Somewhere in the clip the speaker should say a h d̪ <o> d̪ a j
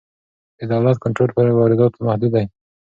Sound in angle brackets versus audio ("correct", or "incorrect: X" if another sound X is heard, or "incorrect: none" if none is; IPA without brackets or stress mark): incorrect: u